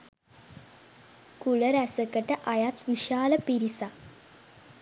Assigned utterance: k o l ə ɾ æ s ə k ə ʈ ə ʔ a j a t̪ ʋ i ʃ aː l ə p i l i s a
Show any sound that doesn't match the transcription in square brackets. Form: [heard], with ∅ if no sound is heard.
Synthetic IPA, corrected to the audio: k [u] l ə ɾ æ s ə k ə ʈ ə ʔ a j a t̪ ʋ i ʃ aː l ə p i [ɾ] i s a